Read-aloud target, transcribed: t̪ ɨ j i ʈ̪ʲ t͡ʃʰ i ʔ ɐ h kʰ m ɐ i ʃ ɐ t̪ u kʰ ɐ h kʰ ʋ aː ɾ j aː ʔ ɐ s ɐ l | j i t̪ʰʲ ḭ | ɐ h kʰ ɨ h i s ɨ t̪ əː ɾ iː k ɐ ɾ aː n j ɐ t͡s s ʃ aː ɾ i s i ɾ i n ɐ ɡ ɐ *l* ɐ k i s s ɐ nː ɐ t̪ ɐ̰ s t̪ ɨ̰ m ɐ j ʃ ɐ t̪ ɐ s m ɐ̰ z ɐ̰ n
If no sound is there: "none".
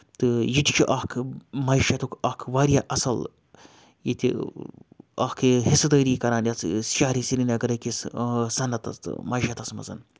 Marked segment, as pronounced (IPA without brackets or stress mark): ɾ